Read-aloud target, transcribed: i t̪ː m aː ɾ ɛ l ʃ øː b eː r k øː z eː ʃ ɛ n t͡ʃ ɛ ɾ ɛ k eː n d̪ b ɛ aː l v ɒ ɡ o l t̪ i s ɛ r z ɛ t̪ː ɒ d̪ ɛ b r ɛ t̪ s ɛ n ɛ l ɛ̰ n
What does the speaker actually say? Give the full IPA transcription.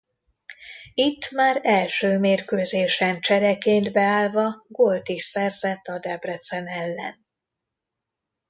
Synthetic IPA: i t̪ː m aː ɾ ɛ l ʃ øː m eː r k øː z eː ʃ ɛ n t͡ʃ ɛ ɾ ɛ k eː n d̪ b ɛ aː l v ɒ ɡ o l t̪ i s ɛ r z ɛ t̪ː ɒ d̪ ɛ b r ɛ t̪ s ɛ n ɛ lː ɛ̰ n